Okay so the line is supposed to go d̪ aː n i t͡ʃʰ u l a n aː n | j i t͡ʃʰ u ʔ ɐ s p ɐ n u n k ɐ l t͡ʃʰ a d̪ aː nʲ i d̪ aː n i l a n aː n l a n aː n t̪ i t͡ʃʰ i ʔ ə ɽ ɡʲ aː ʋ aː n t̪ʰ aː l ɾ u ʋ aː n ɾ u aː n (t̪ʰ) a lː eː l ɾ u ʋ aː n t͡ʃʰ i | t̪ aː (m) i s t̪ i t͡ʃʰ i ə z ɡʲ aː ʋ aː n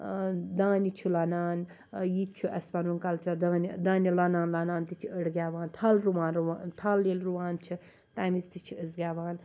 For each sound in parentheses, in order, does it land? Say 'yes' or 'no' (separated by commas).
yes, yes